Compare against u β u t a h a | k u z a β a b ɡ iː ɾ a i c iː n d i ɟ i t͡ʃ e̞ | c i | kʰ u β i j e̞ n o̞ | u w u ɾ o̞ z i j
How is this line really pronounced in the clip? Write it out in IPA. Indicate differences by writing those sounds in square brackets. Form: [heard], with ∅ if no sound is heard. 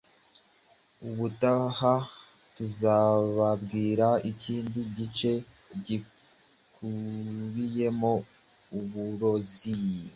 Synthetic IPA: u β u t a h a | [t] u z a β a b ɡ iː ɾ a i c iː n d i ɟ i t͡ʃ e̞ | [ɟ] i | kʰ u β i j e̞ [m] o̞ | u [β] u ɾ o̞ z i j